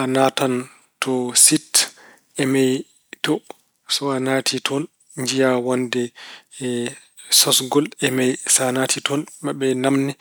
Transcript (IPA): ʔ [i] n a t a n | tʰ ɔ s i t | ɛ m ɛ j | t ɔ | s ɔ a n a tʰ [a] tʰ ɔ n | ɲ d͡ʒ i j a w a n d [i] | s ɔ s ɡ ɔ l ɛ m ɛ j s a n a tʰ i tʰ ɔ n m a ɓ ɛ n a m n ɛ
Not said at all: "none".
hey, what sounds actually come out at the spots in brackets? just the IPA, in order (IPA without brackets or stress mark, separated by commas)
a, i, ɛ